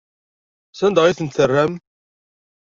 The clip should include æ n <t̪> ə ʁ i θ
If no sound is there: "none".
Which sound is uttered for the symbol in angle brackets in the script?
d̪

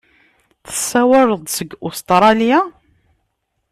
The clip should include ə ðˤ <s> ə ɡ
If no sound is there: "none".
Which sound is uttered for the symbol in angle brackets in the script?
s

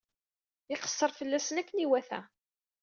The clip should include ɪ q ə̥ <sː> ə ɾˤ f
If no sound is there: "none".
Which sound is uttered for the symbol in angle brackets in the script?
sː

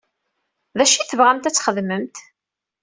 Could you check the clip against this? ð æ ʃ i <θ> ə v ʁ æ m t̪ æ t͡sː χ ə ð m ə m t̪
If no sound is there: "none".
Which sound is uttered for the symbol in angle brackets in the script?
θ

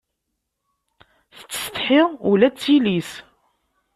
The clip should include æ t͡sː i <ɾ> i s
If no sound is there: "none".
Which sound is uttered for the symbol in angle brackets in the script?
l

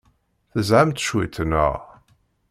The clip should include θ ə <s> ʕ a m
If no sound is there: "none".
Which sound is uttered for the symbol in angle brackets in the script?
z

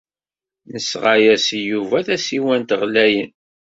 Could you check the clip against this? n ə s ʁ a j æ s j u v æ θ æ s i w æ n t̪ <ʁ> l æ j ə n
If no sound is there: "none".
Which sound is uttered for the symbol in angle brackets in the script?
ʁ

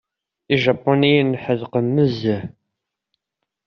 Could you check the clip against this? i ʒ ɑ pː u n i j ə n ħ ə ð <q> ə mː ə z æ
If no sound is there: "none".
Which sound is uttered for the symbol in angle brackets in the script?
q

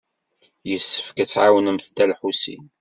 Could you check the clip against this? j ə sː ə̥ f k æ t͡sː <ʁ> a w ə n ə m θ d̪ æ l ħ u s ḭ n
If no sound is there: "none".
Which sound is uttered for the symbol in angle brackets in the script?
ʕ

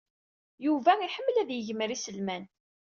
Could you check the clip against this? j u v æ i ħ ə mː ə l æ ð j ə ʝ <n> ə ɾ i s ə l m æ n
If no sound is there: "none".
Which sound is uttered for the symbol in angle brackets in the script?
m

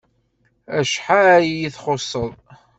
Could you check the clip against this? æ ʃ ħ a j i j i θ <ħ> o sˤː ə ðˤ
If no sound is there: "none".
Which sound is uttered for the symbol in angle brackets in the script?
χ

